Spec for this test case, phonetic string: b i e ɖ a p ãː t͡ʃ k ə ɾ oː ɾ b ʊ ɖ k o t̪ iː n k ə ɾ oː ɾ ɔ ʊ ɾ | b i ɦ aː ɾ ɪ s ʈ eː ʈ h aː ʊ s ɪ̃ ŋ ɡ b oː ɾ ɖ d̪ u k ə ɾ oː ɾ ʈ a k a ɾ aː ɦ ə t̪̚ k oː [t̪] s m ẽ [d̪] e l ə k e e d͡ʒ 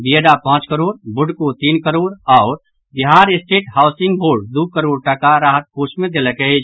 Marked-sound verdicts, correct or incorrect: incorrect: none, correct

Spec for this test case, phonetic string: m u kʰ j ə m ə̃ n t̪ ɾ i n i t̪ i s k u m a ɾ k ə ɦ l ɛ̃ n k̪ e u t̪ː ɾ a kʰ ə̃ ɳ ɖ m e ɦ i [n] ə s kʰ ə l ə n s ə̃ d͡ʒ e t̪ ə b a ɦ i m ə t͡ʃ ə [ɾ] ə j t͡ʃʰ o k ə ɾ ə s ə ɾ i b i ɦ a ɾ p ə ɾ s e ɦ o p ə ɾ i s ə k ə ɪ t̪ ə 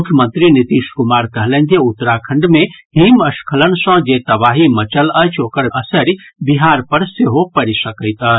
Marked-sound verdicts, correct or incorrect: incorrect: m, incorrect: l

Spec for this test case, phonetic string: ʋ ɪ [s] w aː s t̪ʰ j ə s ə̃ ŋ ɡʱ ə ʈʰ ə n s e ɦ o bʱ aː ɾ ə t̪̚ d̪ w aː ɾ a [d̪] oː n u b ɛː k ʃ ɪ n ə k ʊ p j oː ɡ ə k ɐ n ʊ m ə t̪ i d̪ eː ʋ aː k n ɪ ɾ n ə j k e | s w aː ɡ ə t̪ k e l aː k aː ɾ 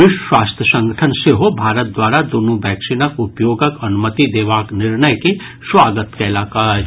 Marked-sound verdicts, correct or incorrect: incorrect: ʃ, correct

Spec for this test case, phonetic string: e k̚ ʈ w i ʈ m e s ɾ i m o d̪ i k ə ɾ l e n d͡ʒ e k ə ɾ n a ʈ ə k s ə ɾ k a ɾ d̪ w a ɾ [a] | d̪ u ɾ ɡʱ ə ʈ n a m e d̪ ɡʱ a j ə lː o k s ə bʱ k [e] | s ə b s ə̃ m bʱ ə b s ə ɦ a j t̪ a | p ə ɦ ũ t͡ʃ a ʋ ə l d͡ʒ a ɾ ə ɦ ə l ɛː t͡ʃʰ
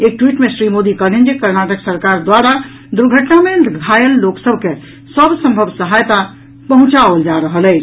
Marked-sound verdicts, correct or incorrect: correct, correct

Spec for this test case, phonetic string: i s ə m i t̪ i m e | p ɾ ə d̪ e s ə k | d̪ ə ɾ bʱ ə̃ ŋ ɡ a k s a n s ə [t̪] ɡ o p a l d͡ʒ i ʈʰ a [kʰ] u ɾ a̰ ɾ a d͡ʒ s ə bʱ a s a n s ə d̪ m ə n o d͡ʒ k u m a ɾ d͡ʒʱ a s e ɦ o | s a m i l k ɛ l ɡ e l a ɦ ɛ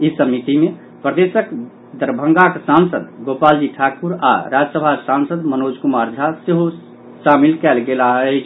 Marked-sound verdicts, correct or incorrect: incorrect: d̪, incorrect: k

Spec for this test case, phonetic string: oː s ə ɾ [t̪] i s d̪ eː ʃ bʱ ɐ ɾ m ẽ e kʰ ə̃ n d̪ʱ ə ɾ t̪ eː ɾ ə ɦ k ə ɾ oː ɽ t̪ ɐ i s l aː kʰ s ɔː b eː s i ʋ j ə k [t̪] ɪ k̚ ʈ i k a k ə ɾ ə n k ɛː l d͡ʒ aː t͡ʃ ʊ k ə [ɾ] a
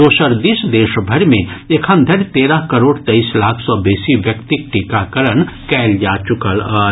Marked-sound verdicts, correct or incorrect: incorrect: d̪, correct, incorrect: l

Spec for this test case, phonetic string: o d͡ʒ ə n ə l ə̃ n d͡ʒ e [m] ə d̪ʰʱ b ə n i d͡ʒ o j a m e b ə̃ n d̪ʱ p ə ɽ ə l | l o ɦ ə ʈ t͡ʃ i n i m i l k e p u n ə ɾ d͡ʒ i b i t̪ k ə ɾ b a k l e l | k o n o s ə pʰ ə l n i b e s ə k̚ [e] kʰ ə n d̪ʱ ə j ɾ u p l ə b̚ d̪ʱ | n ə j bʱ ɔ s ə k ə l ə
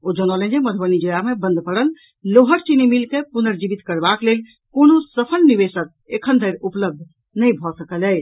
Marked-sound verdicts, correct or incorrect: correct, correct

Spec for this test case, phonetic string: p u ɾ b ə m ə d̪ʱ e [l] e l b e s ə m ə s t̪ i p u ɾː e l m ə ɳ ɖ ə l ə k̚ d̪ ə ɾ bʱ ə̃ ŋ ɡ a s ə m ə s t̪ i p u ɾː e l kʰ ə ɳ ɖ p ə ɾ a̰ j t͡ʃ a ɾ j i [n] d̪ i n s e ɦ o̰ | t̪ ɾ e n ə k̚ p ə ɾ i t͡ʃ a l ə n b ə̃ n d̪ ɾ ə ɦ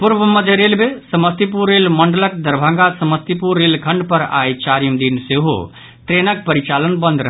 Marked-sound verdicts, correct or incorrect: incorrect: ɾ, incorrect: m

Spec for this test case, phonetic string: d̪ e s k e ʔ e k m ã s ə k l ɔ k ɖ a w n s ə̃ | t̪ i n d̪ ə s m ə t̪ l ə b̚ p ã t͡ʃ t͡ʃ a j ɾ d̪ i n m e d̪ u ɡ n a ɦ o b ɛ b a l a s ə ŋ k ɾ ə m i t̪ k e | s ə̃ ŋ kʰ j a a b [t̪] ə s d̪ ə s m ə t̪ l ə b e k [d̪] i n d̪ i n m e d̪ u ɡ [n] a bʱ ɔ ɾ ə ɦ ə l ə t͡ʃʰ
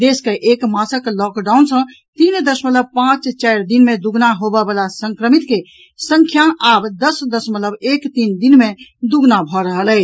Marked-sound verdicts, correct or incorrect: incorrect: d̪, incorrect: t̪, correct

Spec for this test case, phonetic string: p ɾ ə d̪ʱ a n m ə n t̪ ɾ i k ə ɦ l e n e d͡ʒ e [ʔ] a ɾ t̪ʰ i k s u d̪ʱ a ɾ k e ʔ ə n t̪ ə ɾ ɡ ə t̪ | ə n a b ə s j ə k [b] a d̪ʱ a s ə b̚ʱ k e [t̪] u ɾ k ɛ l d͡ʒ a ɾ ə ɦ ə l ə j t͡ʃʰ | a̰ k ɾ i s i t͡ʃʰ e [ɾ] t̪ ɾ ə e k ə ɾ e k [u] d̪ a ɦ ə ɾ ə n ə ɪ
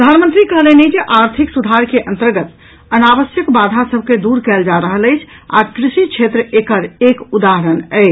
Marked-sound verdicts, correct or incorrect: correct, correct, incorrect: d̪, incorrect: none, correct

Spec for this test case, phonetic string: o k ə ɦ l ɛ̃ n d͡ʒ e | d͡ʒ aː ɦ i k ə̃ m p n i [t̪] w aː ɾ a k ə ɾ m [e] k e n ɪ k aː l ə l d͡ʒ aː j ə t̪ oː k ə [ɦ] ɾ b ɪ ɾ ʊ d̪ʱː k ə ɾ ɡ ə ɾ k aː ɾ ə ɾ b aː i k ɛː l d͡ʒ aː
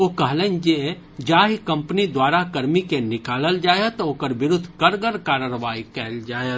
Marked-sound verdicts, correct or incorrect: incorrect: d̪, incorrect: i, incorrect: none

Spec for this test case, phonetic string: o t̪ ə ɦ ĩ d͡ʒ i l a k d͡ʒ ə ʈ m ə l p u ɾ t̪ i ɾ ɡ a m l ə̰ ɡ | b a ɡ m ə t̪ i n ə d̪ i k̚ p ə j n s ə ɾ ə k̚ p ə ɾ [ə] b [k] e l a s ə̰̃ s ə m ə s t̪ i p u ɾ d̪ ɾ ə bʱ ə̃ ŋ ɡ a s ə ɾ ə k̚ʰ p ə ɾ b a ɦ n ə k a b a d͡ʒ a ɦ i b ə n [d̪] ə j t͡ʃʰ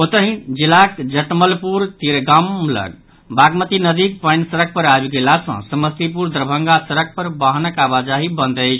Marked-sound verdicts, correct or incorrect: incorrect: a, incorrect: ɡ, correct

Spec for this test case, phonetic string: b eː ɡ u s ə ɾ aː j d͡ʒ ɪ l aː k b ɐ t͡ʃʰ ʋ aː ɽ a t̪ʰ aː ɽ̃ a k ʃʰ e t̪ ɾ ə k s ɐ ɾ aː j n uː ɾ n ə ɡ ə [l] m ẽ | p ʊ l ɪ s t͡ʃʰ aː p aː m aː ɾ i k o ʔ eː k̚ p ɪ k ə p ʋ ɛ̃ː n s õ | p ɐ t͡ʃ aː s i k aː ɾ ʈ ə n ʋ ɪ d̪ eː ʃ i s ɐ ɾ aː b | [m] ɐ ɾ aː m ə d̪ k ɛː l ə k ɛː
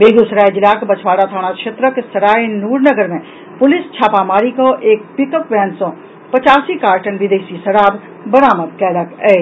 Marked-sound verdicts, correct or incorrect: incorrect: ɾ, incorrect: b

